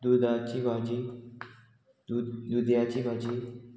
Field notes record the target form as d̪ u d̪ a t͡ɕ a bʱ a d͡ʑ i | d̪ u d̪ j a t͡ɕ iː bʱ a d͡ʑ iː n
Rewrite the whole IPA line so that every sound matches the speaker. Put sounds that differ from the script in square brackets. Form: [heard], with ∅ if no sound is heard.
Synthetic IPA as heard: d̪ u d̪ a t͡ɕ [i] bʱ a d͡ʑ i | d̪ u d̪ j a t͡ɕ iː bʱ a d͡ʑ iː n

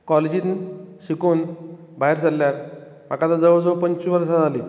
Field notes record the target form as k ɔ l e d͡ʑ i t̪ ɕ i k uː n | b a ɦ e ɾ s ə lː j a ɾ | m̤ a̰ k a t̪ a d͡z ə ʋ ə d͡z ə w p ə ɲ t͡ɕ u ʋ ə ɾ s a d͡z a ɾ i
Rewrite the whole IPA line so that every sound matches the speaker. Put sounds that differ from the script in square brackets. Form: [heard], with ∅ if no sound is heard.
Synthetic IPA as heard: k ɔ l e d͡ʑ i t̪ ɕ i k uː n | b a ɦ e ɾ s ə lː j a ɾ | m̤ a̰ k a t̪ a d͡z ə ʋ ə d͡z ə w p ə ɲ t͡ɕ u ʋ ə ɾ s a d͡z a [l] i

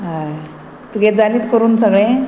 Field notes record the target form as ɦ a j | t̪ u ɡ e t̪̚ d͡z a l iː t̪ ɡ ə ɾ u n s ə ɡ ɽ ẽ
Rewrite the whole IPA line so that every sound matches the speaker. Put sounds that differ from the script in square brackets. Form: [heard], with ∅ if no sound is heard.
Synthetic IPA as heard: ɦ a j | t̪ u ɡ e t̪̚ d͡z a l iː t̪ [k] ə ɾ [uː] n s ə ɡ [ɭ] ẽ

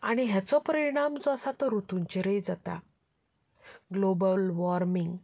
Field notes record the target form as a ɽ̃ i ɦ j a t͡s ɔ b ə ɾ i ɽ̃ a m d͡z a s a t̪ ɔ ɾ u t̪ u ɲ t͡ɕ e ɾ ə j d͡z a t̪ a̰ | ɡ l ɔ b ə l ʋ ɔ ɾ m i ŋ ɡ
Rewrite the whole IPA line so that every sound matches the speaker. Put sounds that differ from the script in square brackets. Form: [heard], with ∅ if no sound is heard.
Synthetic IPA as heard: a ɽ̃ i ɦ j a t͡s ɔ [p] ə ɾ i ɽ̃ a m d͡z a s a t̪ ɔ ɾ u t̪ u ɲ t͡ɕ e ɾ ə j d͡z a t̪ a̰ | ɡ l [o] b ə l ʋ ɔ ɾ m i ŋ ɡ

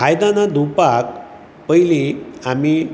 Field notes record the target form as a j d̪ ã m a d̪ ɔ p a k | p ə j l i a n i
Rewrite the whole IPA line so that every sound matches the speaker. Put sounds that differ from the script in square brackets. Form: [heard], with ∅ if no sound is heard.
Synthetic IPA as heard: a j d̪ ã [n] a d̪ [u] p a k | p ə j l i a [m] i

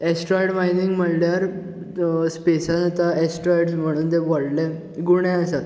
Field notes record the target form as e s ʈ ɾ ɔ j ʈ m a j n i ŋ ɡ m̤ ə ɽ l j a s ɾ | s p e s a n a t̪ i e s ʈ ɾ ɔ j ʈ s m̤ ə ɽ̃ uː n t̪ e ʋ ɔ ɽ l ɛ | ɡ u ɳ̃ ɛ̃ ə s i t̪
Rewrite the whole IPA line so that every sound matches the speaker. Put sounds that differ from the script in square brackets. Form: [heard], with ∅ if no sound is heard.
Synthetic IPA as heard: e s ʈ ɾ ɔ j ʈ m a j n i ŋ ɡ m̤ ə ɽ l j a [∅] ɾ | s p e s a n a t̪ [a] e s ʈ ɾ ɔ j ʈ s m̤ ə ɽ̃ uː n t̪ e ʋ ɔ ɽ l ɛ | ɡ u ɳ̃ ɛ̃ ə s [a] t̪

